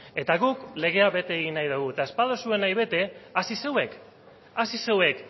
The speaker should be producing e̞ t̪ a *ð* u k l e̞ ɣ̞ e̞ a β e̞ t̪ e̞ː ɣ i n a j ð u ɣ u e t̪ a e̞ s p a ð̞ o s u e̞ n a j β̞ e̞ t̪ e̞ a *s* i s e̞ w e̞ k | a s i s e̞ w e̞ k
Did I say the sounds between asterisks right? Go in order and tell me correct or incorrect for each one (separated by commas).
incorrect, correct